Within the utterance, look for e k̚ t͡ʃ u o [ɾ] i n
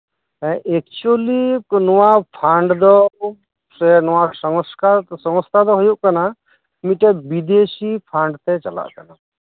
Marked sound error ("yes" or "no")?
yes